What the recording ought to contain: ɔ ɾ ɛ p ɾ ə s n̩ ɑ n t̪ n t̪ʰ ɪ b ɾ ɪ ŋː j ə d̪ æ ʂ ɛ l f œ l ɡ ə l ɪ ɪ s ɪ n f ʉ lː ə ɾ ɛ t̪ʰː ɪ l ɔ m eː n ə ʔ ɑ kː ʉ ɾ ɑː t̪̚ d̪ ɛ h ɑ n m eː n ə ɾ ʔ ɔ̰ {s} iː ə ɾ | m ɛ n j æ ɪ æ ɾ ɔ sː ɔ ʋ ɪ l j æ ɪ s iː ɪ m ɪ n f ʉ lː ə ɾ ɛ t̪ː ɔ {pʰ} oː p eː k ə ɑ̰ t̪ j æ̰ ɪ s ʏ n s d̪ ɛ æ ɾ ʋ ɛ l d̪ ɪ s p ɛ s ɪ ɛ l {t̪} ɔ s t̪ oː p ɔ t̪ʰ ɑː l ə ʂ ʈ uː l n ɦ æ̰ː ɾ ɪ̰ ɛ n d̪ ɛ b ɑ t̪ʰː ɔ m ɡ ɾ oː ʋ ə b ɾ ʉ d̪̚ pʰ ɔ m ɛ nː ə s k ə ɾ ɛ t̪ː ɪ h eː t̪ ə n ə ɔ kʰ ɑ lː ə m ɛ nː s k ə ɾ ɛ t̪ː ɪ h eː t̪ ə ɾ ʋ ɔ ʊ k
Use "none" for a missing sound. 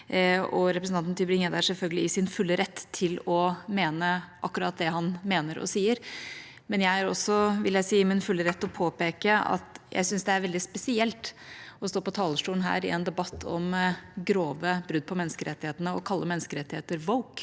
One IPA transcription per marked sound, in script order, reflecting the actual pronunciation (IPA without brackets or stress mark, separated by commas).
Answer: s, pʰ, t̪